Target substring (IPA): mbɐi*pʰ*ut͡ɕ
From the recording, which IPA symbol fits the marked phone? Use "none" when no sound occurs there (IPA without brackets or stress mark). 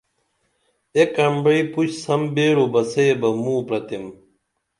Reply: p